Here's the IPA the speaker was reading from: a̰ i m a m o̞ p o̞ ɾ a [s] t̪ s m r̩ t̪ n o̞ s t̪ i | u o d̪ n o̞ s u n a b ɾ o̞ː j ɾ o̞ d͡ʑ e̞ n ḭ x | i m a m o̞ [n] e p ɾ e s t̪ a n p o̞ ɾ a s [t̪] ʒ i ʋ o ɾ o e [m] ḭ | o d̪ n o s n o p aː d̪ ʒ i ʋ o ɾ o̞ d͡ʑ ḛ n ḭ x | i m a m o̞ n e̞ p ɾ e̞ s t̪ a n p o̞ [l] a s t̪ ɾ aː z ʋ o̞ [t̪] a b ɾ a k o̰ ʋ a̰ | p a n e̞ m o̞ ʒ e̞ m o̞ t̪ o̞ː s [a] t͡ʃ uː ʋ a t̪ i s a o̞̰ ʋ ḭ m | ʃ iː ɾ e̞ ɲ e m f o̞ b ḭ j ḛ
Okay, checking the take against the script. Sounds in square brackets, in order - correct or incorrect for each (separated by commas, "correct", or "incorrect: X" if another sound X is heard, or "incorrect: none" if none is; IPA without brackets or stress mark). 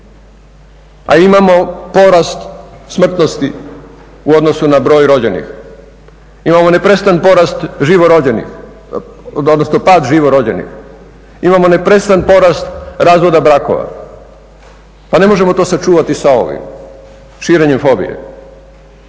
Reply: correct, correct, correct, incorrect: n, incorrect: ɾ, incorrect: d̪, correct